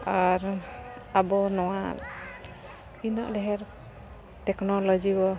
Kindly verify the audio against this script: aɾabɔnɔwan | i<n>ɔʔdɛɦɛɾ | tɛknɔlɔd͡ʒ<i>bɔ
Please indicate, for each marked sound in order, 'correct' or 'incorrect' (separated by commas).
correct, correct